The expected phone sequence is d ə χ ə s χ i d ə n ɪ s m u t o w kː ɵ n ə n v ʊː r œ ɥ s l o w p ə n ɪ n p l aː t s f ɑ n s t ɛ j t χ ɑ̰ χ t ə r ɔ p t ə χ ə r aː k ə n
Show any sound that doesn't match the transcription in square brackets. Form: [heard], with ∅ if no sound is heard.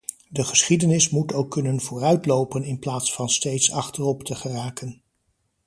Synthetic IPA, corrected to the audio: d ə χ ə s χ i d ə n ɪ s m u t o w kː ɵ n ə n v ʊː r œ ɥ [t] l o w p ə n ɪ n p l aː t s f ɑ n s t [e] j t [s] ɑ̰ χ t ə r ɔ p t ə χ ə r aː k ə n